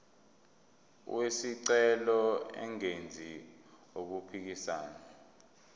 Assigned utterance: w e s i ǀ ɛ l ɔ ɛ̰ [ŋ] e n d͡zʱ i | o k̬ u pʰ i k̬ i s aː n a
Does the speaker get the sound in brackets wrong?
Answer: no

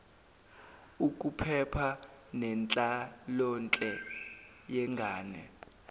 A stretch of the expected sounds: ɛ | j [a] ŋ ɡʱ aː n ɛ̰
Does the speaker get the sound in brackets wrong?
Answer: yes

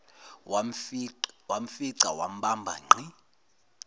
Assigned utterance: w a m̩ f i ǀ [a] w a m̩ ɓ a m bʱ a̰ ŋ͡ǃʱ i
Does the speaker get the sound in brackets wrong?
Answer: no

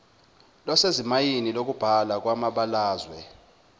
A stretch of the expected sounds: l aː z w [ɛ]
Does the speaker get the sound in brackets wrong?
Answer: no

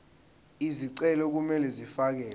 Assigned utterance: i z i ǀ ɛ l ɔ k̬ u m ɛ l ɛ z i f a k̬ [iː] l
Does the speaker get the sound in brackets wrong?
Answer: yes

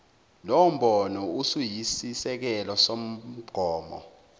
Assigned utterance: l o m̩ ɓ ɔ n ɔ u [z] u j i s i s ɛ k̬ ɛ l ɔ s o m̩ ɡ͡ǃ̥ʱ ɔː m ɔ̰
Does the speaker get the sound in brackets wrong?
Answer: yes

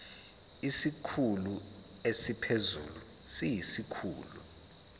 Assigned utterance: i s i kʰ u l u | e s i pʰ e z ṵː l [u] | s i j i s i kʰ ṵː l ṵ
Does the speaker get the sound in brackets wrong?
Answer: no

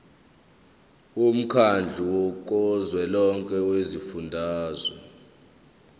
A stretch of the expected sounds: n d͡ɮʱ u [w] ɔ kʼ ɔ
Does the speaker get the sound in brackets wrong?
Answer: no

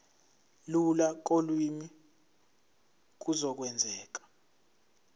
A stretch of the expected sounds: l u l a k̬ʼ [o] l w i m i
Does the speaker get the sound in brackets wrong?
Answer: no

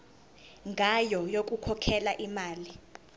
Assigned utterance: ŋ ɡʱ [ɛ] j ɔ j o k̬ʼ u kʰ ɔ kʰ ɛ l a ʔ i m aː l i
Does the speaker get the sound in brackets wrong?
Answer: yes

